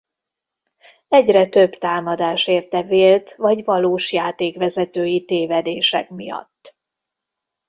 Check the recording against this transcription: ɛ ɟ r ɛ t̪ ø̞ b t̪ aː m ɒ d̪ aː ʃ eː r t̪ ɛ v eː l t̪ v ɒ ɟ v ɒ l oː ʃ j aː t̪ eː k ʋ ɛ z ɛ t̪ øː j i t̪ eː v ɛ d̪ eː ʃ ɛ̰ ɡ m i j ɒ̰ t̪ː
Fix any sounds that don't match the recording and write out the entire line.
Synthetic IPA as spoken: ɛ ɟ r ɛ t̪ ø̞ b t̪ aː m ɒ d̪ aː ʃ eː r t̪ ɛ v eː l t̪ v ɒ ɟ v ɒ l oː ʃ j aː t̪ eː k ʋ ɛ z ɛ t̪ øː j i t̪ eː v ɛ d̪ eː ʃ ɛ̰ k m i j ɒ̰ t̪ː